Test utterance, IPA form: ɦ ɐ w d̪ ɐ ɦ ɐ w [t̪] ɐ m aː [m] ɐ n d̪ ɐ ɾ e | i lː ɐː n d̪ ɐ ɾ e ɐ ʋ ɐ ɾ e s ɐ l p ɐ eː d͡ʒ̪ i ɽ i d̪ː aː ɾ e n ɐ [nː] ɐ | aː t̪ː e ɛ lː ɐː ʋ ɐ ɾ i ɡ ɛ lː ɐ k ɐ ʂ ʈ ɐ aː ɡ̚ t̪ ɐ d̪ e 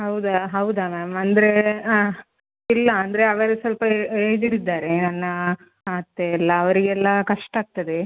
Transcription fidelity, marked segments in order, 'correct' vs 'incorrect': incorrect, correct, correct

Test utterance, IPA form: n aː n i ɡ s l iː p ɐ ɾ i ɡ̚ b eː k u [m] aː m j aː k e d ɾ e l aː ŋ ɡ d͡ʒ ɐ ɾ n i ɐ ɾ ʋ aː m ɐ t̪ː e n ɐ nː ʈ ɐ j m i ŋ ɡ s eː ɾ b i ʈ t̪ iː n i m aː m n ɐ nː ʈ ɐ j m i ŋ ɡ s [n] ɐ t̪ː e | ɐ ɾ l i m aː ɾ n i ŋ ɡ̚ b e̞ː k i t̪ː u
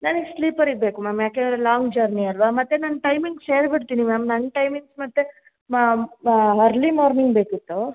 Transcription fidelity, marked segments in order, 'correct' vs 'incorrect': correct, incorrect

